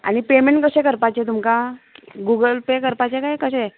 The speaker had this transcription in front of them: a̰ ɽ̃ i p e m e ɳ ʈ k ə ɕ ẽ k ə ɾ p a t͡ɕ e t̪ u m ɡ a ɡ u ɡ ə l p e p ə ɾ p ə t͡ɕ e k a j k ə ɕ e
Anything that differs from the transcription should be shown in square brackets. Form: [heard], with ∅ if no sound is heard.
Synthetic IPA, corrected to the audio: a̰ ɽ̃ i p e m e ɳ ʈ k ə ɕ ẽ k ə ɾ p a t͡ɕ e t̪ u m [k] a ɡ u ɡ ə l p e [k] ə ɾ p [a] t͡ɕ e k a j k ə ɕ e